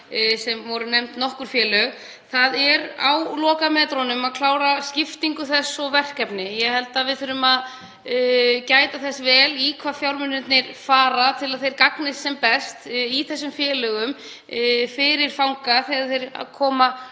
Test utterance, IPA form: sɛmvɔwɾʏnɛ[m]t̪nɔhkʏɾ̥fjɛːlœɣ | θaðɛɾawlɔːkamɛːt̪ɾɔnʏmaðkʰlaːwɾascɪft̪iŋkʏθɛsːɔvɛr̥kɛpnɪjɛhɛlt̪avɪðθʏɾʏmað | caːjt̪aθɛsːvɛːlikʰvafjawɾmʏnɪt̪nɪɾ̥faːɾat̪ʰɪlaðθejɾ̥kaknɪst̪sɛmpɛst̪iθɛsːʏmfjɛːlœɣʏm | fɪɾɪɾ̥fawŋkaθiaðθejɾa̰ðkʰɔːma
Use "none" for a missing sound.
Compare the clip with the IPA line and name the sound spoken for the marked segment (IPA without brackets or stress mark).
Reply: m